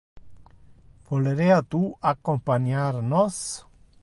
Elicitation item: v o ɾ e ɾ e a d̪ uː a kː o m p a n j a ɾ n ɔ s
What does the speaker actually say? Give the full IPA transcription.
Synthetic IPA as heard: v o l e ɾ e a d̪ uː a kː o m p a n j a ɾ n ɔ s